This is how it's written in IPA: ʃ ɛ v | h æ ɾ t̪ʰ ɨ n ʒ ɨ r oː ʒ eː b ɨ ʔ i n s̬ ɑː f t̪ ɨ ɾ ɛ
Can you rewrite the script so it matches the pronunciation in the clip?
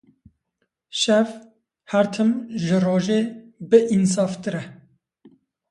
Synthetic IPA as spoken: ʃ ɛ v | h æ ɾ t̪ʰ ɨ m ʒ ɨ r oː ʒ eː b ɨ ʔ i n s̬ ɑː f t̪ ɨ ɾ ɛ